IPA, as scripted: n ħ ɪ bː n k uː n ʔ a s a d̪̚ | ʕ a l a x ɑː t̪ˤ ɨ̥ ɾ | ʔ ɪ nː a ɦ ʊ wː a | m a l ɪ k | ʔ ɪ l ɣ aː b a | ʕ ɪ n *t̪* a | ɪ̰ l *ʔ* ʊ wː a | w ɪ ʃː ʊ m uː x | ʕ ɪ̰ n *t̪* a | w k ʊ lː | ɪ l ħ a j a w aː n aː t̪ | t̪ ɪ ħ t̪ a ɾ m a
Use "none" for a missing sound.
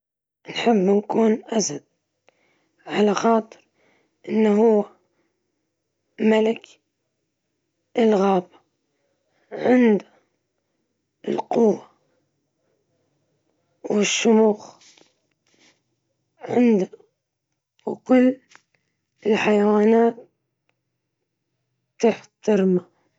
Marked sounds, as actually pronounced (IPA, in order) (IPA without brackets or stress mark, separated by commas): d̪, q, d̪